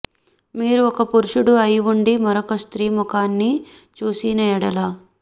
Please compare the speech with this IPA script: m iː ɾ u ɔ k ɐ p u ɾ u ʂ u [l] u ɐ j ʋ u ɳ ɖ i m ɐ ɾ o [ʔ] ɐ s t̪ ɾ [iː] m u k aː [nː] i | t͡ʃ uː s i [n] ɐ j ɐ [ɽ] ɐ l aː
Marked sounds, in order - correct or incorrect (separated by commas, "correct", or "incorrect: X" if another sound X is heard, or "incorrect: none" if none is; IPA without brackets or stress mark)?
incorrect: ɽ, incorrect: k, correct, correct, correct, correct